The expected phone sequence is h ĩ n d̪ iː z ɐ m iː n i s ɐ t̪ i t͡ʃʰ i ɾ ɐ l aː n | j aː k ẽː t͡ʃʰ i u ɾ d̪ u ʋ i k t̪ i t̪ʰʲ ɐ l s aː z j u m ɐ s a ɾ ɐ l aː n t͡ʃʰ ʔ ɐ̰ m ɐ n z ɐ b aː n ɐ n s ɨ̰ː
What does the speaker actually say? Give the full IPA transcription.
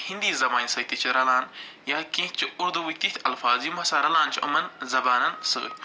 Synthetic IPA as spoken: h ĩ n d̪ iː z ɐ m aː n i s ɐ t̪ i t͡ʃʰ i ɾ ɐ l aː n | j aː k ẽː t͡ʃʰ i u ɾ d̪ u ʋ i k t̪ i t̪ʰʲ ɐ l f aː z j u m ɐ s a ɾ ɐ l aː n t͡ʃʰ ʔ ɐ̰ m ɐ n z ɐ b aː n ɐ n s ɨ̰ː